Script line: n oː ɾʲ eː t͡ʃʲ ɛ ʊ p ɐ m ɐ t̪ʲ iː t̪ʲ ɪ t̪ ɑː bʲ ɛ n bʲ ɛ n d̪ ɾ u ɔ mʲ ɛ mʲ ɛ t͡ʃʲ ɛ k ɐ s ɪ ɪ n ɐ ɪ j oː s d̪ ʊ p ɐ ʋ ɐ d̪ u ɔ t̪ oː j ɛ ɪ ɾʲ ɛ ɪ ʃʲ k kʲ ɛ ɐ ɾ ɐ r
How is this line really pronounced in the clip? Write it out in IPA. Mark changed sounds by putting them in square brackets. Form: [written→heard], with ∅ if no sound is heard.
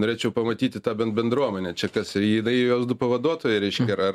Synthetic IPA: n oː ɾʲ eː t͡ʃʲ ɛ ʊ p ɐ m ɐ t̪ʲ iː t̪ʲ ɪ t̪ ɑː bʲ ɛ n bʲ ɛ n d̪ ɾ u ɔ mʲ ɛ [mʲ→nʲ] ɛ t͡ʃʲ ɛ k ɐ s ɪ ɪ n ɐ ɪ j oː s d̪ ʊ p ɐ ʋ ɐ d̪ u ɔ t̪ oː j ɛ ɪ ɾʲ ɛ ɪ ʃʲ k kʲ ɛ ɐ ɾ ɐ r